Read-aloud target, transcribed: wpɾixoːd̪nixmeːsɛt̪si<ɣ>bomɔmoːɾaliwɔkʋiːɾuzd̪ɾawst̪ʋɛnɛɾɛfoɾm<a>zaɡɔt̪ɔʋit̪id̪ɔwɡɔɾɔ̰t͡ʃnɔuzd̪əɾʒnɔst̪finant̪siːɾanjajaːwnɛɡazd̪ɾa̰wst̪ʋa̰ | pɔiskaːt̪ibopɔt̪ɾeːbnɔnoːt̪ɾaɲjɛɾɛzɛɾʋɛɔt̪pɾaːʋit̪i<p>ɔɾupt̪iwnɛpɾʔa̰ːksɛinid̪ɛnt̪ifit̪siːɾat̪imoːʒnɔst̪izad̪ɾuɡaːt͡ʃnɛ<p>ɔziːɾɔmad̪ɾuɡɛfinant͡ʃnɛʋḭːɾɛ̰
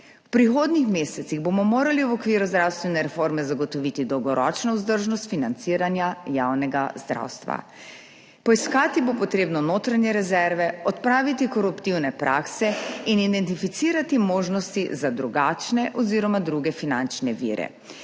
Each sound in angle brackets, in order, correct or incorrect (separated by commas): correct, incorrect, incorrect, incorrect